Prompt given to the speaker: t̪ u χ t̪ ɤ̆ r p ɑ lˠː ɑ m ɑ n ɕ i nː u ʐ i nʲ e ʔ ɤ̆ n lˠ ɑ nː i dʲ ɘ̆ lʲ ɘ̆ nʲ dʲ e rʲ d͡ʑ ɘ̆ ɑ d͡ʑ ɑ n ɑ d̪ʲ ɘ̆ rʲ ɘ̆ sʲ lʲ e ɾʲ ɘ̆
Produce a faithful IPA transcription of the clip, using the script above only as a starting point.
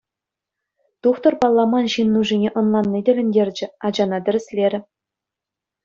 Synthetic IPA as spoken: t̪ u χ t̪ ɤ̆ r p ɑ lˠː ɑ m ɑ n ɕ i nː u ʐ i nʲ e ʔ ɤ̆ n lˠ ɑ nː i dʲ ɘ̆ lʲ ɘ̆ nʲ dʲ e rʲ d͡ʑ ɘ̆ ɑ d͡ʑ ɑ n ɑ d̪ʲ ɘ̆ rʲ ɘ̆ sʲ lʲ e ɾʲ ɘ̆